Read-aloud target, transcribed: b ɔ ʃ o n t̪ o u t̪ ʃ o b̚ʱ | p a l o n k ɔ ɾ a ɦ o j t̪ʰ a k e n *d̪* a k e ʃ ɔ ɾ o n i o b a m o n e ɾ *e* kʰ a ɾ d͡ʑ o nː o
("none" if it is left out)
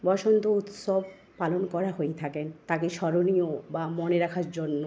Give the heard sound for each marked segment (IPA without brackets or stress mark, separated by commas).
t̪, a